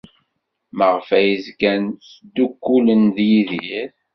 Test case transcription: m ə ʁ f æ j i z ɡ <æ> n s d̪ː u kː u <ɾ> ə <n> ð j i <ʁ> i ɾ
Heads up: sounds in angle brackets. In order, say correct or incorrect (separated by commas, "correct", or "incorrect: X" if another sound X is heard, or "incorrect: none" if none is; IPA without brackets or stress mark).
correct, incorrect: l, correct, incorrect: ð